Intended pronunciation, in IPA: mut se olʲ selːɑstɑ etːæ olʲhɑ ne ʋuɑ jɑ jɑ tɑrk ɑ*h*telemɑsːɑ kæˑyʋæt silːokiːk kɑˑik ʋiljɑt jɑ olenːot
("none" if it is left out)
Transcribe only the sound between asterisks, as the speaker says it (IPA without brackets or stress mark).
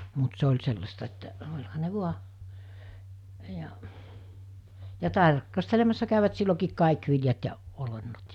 s